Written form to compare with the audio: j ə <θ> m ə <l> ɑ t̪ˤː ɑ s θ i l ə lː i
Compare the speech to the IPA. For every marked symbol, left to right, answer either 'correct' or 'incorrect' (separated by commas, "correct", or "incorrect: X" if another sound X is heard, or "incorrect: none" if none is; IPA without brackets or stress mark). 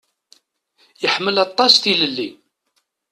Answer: incorrect: ħ, correct